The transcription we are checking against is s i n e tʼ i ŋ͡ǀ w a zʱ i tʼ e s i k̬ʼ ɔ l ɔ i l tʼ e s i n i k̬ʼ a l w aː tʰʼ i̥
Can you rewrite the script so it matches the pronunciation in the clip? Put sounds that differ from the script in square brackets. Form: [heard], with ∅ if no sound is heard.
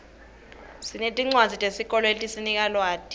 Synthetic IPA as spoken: s i n e tʼ i ŋ͡ǀ w a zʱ i tʼ e s i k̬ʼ ɔ l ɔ [e] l tʼ [i] s i n i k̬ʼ a l w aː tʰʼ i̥